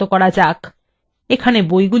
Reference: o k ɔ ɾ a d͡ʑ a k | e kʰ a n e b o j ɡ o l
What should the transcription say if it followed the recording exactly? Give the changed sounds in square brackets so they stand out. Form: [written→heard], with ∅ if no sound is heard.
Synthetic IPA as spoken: o k ɔ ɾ a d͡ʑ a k | e kʰ a n e b o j ɡ [o→u] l